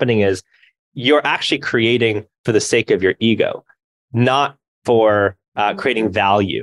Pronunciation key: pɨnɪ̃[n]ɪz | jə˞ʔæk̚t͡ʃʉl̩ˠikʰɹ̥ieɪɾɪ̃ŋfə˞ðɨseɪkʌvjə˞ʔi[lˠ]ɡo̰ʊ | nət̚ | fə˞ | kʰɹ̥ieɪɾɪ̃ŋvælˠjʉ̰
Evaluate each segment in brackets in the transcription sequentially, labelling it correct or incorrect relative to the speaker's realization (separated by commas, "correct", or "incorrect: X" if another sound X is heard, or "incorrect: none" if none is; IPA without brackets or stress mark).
incorrect: ŋ, incorrect: none